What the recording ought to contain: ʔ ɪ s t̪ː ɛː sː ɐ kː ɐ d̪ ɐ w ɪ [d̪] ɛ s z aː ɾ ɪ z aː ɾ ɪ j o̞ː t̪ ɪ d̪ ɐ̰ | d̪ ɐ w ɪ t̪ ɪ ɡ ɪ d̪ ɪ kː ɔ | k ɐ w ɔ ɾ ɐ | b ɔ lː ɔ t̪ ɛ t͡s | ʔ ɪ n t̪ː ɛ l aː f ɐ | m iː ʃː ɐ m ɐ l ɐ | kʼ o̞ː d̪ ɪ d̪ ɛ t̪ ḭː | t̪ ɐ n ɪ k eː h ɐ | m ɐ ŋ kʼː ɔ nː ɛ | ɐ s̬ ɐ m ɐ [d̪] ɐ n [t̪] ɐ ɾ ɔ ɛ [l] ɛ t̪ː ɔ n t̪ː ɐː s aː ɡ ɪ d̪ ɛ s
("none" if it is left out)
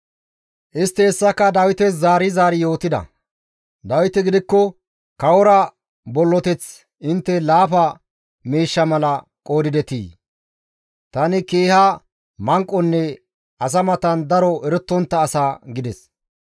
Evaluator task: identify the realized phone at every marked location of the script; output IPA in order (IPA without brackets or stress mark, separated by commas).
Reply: t̪, t̪, d̪, ɾ